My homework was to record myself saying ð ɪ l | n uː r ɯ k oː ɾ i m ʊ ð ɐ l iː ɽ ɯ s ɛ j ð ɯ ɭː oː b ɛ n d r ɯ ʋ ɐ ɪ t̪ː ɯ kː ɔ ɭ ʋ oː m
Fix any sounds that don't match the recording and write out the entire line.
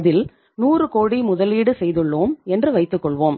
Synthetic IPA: ð ɪ l | n uː r ɯ k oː ɽ i m ʊ ð ɐ l iː ɽ ɯ s ɛ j ð ɯ ɭː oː m ɛ n d r ɯ ʋ ɐ ɪ t̪ː ɯ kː ɔ ɭ ʋ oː m